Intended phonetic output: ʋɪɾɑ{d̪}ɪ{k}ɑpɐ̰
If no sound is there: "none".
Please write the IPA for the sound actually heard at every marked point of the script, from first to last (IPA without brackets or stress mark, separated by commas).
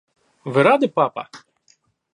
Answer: d̪, p